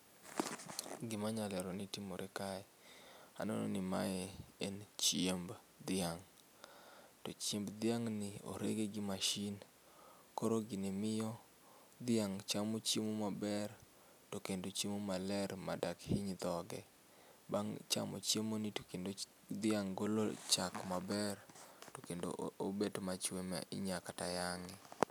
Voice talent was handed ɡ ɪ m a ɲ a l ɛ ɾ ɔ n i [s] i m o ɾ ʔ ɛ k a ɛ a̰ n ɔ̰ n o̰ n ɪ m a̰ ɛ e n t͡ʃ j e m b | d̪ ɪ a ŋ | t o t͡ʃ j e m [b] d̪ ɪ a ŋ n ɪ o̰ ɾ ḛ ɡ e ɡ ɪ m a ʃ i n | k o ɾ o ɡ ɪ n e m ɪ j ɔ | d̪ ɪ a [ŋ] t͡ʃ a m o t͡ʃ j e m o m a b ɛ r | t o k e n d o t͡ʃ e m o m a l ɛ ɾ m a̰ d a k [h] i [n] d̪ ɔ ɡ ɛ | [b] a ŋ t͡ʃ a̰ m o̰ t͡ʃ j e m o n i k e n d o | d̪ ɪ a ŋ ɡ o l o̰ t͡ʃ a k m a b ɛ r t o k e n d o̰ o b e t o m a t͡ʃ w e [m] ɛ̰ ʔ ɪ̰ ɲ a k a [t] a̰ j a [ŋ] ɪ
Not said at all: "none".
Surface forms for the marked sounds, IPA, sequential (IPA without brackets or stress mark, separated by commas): t, b, ŋ, h, ɲ, b, m, t, ŋ